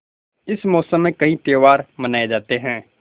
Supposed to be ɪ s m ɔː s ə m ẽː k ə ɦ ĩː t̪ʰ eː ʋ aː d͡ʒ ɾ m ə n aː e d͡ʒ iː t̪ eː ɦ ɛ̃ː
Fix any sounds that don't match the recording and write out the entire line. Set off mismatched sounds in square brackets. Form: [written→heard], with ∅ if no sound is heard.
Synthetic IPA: ɪ s m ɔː s ə m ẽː k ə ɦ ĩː [t̪ʰ→t̪] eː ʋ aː [d͡ʒ→∅] ɾ m ə n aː e d͡ʒ [iː→aː] t̪ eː ɦ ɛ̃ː